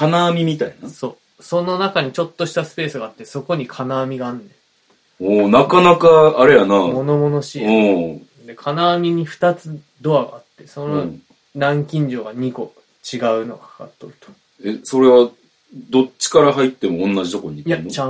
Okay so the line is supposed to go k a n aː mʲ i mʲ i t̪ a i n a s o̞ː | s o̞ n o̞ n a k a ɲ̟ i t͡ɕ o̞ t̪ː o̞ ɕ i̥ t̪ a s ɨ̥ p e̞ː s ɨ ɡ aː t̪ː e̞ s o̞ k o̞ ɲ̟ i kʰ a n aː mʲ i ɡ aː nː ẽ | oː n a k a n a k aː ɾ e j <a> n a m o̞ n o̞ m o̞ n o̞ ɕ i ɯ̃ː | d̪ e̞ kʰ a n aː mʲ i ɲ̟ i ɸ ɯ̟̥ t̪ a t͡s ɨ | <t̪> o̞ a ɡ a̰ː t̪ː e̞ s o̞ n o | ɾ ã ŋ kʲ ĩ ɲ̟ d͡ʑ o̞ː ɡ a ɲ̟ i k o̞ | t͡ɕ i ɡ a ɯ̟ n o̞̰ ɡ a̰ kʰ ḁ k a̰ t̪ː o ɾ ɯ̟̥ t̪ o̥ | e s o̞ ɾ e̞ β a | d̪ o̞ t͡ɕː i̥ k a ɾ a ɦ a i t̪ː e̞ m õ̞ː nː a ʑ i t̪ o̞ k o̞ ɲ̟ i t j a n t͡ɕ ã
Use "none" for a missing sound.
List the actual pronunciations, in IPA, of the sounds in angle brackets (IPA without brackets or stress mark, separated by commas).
a, d̪